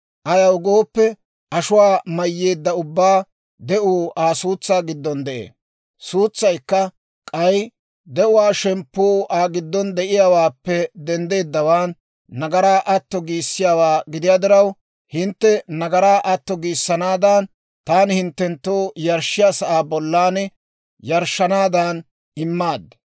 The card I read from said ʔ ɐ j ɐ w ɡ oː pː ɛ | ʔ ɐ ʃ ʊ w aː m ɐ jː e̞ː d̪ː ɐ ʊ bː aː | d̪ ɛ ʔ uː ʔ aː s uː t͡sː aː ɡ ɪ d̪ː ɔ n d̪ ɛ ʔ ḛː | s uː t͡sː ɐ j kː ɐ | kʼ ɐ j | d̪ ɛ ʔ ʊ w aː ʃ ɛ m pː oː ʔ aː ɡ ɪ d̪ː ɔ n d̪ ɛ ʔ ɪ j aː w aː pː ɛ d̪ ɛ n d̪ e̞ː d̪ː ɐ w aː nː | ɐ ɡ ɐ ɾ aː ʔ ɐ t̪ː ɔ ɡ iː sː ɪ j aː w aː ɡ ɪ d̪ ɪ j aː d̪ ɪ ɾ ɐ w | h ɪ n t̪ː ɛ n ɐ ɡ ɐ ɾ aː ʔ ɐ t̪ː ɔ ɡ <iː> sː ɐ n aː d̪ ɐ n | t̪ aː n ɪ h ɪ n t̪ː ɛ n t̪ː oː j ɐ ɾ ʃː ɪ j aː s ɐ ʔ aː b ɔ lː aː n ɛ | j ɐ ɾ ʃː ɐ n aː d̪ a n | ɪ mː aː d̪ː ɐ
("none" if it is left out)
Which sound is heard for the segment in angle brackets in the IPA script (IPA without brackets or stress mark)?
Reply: iː